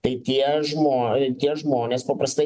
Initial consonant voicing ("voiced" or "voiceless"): voiceless